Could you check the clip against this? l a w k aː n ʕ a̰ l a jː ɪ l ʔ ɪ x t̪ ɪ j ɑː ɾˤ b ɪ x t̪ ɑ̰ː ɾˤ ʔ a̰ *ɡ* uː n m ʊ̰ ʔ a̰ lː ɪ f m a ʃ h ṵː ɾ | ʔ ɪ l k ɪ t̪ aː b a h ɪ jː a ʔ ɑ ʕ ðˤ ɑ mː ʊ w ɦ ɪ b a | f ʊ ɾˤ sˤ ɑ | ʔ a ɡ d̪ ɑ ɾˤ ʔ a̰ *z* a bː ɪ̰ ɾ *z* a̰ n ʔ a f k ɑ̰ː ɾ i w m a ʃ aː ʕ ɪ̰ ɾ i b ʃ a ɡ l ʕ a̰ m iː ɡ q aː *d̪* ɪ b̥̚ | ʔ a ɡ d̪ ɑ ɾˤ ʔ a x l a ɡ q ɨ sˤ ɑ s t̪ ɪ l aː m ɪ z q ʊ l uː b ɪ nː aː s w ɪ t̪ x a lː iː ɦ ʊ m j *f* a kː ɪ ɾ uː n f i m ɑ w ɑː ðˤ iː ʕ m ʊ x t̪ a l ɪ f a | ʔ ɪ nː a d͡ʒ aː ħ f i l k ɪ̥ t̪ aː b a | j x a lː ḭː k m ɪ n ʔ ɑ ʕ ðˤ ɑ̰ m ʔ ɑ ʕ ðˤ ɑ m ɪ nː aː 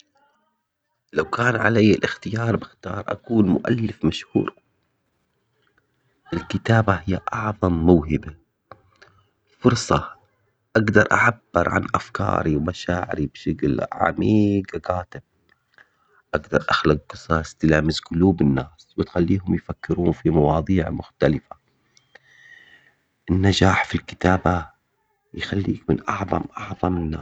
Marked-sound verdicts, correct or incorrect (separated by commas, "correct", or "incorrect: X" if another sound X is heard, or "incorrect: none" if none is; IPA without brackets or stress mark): incorrect: k, incorrect: ʕ, incorrect: ʕ, incorrect: t̪, correct